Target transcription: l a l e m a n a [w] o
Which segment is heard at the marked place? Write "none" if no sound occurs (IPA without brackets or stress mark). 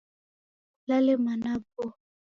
b